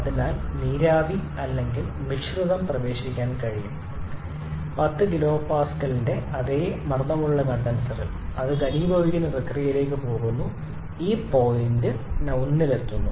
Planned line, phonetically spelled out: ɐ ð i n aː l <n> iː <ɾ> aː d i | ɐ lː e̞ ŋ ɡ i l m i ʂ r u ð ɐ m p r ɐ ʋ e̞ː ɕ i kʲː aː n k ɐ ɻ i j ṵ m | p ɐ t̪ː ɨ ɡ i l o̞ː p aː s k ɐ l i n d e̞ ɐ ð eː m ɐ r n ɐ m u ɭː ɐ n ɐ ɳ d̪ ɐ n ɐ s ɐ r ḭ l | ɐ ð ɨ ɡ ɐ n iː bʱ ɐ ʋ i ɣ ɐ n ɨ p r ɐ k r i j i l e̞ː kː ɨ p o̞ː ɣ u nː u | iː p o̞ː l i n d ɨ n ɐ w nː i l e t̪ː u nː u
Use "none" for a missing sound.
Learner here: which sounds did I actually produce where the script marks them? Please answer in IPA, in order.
n, ɾ

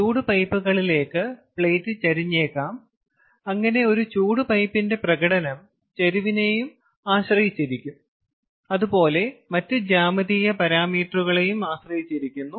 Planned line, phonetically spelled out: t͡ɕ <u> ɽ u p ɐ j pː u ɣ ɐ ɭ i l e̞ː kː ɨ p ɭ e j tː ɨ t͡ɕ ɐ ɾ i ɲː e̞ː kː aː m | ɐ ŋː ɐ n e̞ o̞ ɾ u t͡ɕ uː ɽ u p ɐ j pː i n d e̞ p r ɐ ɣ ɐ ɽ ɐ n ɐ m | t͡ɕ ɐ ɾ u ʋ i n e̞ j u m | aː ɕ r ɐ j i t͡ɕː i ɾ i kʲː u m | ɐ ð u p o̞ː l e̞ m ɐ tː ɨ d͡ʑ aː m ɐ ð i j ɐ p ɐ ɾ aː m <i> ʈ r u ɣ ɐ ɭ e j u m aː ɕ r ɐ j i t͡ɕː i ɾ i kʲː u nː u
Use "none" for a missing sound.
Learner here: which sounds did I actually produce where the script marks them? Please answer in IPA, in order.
uː, iː

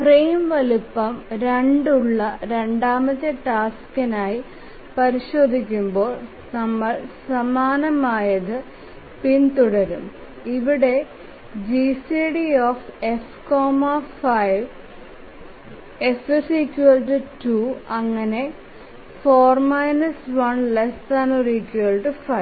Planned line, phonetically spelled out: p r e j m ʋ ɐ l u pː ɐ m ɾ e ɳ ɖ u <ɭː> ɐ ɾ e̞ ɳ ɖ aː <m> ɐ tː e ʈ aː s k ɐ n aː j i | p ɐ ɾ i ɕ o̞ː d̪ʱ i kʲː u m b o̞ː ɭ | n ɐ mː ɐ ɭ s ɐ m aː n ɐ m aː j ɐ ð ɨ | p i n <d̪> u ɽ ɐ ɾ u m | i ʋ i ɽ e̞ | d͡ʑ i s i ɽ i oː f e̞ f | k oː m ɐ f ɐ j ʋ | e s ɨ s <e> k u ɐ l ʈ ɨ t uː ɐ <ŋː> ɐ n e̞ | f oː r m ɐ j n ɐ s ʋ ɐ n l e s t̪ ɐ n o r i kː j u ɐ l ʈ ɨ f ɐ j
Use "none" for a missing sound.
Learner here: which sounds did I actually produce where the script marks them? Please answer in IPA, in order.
ɭː, m, t̪, i, ŋː

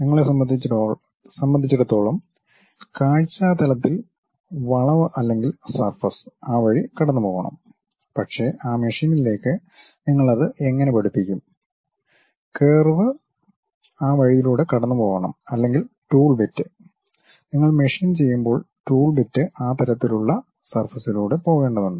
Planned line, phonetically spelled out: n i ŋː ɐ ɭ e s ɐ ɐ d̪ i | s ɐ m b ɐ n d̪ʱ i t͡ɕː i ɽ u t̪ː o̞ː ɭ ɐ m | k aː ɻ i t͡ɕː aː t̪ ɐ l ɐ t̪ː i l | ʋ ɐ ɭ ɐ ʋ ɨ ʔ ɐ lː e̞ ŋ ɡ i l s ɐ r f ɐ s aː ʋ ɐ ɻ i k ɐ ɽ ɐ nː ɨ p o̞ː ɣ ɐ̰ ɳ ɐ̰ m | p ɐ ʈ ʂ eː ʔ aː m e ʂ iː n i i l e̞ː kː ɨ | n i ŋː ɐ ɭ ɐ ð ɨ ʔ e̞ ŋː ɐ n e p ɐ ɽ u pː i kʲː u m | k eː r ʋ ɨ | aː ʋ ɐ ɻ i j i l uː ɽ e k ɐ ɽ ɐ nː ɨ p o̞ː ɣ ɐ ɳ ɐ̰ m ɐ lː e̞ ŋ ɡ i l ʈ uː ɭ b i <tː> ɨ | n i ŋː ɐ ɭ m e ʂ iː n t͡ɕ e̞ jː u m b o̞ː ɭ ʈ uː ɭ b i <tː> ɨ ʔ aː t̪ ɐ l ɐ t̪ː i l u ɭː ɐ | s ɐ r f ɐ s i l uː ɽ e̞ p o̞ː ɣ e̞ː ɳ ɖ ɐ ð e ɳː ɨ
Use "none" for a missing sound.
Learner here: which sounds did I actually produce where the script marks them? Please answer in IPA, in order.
tː, tː

